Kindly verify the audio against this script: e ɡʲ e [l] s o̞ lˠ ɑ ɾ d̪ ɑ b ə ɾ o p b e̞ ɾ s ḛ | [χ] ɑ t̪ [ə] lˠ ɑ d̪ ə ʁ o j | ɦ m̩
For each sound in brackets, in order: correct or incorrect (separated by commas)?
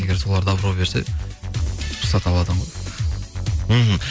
incorrect, incorrect, incorrect